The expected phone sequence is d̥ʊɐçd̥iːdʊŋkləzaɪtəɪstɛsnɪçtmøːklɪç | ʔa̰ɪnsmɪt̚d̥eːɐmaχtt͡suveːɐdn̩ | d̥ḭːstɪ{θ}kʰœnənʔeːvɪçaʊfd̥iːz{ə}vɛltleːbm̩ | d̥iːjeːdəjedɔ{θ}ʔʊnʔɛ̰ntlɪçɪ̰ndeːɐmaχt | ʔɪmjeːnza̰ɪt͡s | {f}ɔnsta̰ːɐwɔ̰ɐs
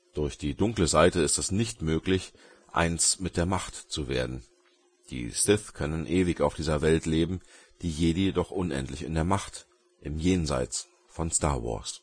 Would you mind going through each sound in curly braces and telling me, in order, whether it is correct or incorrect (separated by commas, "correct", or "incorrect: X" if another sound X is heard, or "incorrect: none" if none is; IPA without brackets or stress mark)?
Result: correct, incorrect: ɐ, incorrect: χ, correct